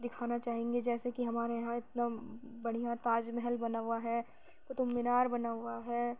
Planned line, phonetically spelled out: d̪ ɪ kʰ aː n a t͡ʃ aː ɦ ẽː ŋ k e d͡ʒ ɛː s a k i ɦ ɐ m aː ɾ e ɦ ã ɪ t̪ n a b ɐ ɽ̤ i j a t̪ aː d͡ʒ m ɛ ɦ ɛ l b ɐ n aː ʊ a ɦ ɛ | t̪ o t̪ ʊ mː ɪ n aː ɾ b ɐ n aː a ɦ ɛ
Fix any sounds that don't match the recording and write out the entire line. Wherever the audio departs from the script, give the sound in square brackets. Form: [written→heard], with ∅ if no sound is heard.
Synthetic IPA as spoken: d̪ ɪ kʰ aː n a t͡ʃ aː ɦ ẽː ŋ [k→ɡ] e d͡ʒ ɛː s [a→e] k i ɦ ɐ m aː ɾ e ɦ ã ɪ t̪ n a b ɐ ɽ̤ i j a t̪ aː d͡ʒ m ɛ ɦ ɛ l b ɐ n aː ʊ a ɦ ɛ | t̪ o t̪ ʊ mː ɪ n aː ɾ b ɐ n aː a ɦ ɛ